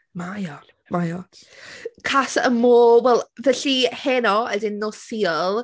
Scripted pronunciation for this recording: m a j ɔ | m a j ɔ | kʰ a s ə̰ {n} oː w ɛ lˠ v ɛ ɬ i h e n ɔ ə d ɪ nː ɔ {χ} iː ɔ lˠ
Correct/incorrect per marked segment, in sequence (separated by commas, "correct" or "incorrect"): incorrect, incorrect